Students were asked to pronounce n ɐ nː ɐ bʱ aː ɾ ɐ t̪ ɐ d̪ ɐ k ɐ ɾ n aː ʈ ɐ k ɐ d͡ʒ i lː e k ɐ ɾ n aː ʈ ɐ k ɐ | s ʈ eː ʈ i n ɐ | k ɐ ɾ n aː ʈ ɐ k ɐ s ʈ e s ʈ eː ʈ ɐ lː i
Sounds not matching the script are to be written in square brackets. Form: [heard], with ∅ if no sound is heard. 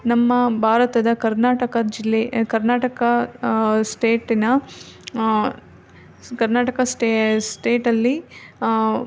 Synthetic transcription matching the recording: n ɐ [mː] ɐ bʱ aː ɾ ɐ t̪ ɐ d̪ ɐ k ɐ ɾ n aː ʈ ɐ k ɐ d͡ʒ i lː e k ɐ ɾ n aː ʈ ɐ k ɐ | s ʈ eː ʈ i n ɐ | k ɐ ɾ n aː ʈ ɐ k ɐ s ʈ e s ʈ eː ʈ ɐ lː i